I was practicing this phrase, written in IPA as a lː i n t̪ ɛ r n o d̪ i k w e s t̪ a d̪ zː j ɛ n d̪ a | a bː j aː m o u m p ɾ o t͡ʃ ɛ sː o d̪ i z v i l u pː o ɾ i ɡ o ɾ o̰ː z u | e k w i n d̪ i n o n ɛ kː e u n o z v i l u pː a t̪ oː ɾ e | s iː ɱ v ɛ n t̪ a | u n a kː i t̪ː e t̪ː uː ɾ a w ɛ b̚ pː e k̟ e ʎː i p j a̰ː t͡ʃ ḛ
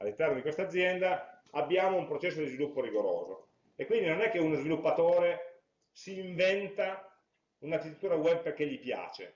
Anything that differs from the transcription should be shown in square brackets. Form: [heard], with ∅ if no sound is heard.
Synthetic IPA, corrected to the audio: a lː i n t̪ ɛ r n o d̪ i k w e s t̪ a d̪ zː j ɛ n d̪ a | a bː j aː m o u m p ɾ o t͡ʃ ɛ sː o d̪ i z v i l u pː o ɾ i ɡ o ɾ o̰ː z [o] | e k w i n d̪ i n o n ɛ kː e u n o z v i l u pː a t̪ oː ɾ e | s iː ɱ v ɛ n t̪ a | u n a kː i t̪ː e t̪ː uː ɾ a w ɛ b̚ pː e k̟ e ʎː i p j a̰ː t͡ʃ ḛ